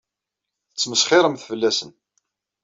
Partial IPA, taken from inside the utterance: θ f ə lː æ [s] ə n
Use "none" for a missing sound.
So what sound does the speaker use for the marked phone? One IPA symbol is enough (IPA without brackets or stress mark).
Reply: s